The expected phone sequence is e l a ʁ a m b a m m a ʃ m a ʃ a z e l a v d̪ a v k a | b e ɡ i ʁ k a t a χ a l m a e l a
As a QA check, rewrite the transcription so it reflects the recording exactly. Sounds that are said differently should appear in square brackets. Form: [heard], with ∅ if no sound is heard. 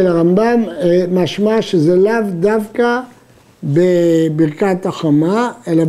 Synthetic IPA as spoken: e l a ʁ a m b a m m a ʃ m a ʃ [e] z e l a v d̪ a v k a | b e [b] i ʁ k a t a χ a [∅] m a e l a